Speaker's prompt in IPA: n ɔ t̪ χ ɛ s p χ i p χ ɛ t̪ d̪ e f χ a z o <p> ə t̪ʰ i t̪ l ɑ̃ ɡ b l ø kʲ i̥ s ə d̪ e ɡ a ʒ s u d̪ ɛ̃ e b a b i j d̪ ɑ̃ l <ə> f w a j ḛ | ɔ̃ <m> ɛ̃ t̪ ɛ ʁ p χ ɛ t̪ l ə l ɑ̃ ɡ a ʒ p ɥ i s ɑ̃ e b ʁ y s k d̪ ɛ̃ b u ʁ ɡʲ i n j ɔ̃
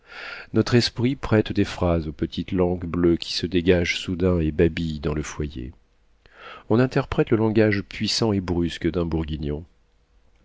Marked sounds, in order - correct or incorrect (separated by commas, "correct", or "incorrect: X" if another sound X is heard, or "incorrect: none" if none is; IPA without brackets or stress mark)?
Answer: correct, correct, incorrect: n